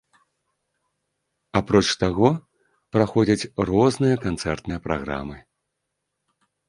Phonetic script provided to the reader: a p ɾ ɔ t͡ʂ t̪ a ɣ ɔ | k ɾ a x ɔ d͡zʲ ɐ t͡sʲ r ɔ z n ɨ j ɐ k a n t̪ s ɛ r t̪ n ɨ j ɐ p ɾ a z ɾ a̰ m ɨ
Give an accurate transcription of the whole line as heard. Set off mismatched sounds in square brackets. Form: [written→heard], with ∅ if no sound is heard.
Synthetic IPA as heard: a p ɾ ɔ t͡ʂ t̪ a ɣ ɔ | [k→p] ɾ a x ɔ d͡zʲ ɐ t͡sʲ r ɔ z n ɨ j ɐ k a n t̪ s ɛ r t̪ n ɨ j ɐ p ɾ a [z→ɣ] ɾ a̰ m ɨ